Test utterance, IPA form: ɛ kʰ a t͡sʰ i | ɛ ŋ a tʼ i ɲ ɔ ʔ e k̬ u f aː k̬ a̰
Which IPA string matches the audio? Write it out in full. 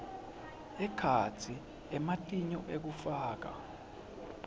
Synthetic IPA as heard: ɛ kʰ a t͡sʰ i | ɛ m a tʼ i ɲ ɔ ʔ e k̬ u f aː k̬ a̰

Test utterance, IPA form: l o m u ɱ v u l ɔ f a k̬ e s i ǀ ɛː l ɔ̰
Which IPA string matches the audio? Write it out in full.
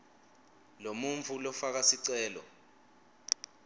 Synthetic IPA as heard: l o m u ɱ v u l ɔ f a k̬ a s i ǀ ɛː l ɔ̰

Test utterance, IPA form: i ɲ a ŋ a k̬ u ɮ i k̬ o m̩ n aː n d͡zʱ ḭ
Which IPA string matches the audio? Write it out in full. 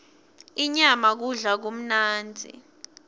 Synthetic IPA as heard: i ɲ a m a k̬ u ɮ a k̬ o m̩ n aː n d͡zʱ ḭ

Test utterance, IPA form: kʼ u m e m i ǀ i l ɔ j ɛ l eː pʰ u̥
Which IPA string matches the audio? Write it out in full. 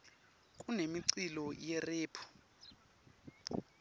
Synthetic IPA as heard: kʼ u n e m i ǀ i l ɔ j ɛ r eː pʰ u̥

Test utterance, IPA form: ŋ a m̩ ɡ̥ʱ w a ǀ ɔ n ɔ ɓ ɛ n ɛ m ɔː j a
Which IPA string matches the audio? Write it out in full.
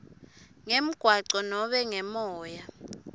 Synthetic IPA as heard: ŋ e m̩ ɡ̥ʱ w a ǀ ɔ n ɔ ɓ ɛ ŋ ɛ m ɔː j a

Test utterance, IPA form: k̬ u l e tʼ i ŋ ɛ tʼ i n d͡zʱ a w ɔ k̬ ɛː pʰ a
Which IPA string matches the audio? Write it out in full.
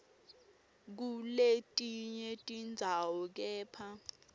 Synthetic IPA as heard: k̬ u l e tʼ i ɲ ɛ tʼ i n d͡zʱ a w ɔ k̬ ɛː pʰ a

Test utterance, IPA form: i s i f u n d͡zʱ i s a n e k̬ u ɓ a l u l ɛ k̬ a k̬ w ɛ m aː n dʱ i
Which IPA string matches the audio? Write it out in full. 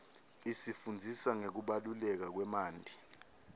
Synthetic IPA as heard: i s i f u n d͡zʱ i s a ŋ e k̬ u ɓ a l u l ɛ k̬ a k̬ w ɛ m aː n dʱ i

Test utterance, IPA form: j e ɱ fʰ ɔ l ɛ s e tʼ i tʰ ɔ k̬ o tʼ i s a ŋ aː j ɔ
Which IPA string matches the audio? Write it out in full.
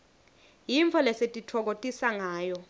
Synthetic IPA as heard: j i ɱ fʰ ɔ l ɛ s e tʼ i tʰ ɔ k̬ o tʼ i s a ŋ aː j ɔ

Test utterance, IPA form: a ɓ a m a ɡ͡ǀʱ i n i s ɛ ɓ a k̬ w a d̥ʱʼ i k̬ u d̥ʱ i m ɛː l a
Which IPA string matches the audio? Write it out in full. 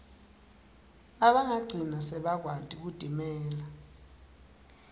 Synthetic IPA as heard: a ɓ a ŋ a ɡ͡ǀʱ i n a s ɛ ɓ a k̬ w a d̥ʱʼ i k̬ u d̥ʱ i m ɛː l a

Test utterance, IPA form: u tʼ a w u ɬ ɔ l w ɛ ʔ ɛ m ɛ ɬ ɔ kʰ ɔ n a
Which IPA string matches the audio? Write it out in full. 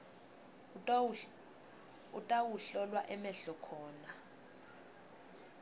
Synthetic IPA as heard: u tʼ a w u ɬ ɔ l w a ʔ ɛ m ɛ ɬ ɔ kʰ ɔː n a

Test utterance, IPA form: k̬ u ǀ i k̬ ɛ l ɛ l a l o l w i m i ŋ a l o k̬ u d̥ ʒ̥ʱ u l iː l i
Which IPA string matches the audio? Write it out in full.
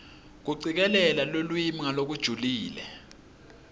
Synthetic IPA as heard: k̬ u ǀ i k̬ ɛ l ɛ l a l o l w i m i ŋ a l o k̬ u d̥ ʒ̥ʱ u l iː l ɛ

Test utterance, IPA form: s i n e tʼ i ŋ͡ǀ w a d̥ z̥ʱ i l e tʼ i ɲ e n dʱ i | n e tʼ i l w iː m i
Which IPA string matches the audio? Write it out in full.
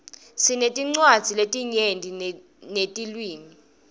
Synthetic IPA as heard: s i n e tʼ i ŋ͡ǀ w a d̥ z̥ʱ i l e tʼ i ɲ e n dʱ i | n e tʼ i l w iː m i

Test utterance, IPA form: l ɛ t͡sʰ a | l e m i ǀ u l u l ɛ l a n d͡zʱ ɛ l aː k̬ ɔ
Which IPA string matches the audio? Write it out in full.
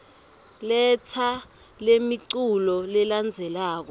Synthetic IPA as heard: l ɛ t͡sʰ a | l e m i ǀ u l ɔ l ɛ l a n d͡zʱ ɛ l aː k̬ ɔ

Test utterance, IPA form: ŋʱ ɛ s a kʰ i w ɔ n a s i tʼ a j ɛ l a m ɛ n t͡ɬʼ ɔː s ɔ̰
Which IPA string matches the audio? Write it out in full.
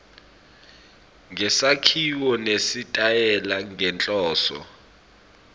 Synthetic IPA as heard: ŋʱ ɛ s a kʰ i w ɔ n e s i tʼ a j ɛ l a ŋ ɛ n t͡ɬʼ ɔː s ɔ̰

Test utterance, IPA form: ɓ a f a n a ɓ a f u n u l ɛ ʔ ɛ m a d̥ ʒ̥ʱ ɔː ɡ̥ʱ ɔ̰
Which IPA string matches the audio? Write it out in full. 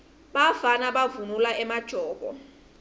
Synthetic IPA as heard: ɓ a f a n a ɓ a v u n u l a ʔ ɛ m a d̥ ʒ̥ʱ ɔː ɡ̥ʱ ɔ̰

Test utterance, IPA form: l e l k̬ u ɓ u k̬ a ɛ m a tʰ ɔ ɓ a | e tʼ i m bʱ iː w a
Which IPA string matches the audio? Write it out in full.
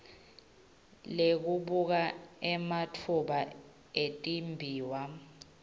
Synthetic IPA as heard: l e k̬ u ɓ u k̬ a ɛ m a tʰ u ɓ a | e tʼ i m bʱ iː w a

